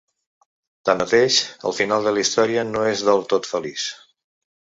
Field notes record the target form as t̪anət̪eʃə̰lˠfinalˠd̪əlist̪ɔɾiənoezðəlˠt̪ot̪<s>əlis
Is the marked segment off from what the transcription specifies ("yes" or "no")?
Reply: yes